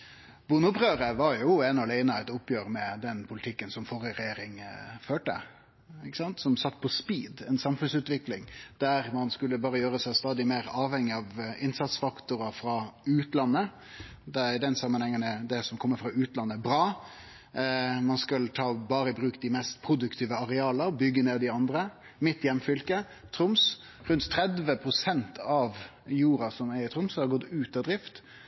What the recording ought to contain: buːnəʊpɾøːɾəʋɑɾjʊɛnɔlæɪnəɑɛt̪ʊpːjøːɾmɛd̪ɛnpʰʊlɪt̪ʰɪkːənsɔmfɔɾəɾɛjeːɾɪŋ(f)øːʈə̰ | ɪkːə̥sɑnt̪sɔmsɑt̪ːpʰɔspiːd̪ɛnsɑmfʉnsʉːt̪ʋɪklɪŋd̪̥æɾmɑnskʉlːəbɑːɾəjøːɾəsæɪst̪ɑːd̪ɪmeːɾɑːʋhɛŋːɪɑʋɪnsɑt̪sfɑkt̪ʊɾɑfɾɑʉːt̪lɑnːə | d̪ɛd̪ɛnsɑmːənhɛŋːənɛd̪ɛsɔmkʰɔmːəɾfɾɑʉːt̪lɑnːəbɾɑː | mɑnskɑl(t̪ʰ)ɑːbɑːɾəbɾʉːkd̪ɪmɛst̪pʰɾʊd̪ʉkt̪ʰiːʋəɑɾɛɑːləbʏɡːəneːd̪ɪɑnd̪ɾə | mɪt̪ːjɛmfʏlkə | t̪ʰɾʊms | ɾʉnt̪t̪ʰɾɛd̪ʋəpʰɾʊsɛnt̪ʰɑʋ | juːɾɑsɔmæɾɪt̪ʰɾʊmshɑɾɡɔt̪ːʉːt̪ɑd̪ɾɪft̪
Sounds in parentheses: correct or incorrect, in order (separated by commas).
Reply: correct, correct